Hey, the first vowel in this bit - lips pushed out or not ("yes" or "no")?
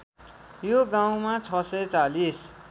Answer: yes